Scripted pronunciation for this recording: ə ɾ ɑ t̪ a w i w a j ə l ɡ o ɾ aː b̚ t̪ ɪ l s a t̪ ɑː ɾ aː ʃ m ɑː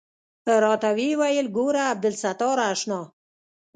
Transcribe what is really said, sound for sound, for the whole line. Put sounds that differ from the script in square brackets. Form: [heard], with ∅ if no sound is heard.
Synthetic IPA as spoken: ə ɾ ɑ t̪ a w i w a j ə l ɡ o ɾ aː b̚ [d̪] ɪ l s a t̪ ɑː ɾ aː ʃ [n] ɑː